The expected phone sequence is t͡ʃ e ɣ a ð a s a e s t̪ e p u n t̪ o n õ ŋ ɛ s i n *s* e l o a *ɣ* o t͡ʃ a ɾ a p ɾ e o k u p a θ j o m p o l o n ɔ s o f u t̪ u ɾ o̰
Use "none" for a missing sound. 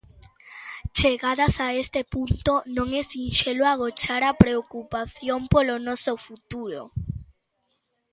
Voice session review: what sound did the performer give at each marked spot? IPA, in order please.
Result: ʃ, ɣ

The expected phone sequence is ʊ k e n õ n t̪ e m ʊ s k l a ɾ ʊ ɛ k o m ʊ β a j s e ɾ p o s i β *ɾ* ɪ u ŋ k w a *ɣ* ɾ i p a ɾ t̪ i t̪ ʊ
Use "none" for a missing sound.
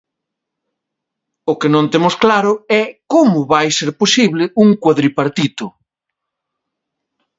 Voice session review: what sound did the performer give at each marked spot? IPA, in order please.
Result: l, ð

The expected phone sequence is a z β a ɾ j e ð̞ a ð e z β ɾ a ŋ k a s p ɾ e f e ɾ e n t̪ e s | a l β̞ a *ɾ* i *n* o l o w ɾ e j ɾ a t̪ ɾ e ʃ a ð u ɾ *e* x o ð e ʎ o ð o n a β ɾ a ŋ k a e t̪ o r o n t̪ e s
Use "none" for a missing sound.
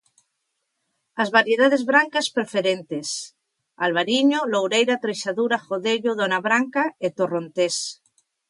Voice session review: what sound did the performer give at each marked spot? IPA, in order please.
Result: ɾ, ɲ, a

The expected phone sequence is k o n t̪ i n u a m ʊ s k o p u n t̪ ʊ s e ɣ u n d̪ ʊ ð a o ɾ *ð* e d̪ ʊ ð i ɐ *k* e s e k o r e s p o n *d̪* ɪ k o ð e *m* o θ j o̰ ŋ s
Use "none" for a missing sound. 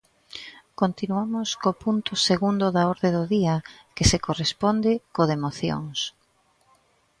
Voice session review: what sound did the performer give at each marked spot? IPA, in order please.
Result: ð, k, d̪, m

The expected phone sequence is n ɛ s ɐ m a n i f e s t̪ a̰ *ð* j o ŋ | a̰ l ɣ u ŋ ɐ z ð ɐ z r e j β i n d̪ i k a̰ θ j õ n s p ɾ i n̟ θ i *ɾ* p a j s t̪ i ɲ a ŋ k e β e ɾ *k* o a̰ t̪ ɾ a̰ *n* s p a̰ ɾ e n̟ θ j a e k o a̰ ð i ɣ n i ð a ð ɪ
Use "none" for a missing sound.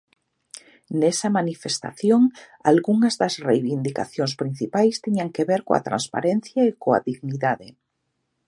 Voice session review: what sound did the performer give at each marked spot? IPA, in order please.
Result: θ, none, k, n

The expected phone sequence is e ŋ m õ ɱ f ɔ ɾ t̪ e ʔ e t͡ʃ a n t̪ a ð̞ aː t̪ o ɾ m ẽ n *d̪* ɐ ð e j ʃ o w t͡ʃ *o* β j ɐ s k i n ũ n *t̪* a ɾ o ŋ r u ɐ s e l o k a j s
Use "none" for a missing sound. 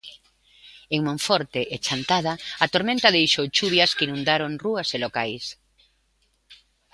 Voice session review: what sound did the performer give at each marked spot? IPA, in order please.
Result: t̪, u, d̪

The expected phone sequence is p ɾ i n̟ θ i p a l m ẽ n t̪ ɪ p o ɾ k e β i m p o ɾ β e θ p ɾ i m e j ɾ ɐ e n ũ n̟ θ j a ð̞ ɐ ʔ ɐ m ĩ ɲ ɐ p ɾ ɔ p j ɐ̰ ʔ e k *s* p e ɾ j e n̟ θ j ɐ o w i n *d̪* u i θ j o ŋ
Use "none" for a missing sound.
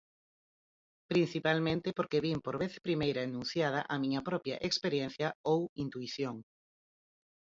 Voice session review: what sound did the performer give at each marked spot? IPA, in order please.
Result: s, t̪

